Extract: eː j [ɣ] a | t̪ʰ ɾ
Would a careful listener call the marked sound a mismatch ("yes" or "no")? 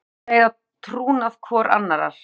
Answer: yes